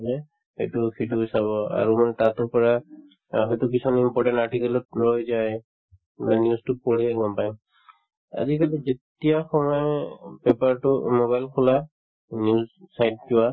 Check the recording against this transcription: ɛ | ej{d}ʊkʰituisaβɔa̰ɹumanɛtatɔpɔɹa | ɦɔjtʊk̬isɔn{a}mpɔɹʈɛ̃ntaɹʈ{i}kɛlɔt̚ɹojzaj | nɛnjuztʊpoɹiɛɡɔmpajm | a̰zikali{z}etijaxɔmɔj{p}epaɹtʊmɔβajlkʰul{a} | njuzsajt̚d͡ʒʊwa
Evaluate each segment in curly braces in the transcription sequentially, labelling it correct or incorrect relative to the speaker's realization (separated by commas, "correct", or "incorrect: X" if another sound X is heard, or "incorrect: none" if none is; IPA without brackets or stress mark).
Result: incorrect: t, incorrect: i, correct, correct, correct, correct